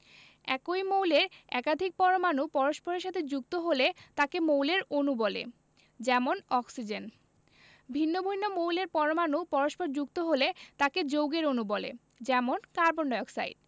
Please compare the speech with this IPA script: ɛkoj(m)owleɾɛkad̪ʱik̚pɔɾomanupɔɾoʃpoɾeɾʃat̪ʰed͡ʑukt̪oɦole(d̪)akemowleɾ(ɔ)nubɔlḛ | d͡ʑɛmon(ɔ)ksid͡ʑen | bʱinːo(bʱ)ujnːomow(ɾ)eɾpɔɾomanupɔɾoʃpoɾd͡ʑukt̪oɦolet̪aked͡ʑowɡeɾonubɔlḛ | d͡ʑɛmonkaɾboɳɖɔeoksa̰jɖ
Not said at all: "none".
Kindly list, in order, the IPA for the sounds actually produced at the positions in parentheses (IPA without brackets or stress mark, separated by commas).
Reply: m, t̪, o, ɔ, bʱ, l